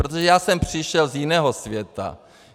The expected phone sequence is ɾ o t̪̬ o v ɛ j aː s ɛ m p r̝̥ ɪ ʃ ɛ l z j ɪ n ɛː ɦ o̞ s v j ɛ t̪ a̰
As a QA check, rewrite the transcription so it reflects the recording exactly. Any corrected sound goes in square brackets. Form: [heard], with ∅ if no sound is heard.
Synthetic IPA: ɾ o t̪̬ o [ʒ] ɛ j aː s ɛ m p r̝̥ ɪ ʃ ɛ l z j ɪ n ɛː ɦ o̞ s v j ɛ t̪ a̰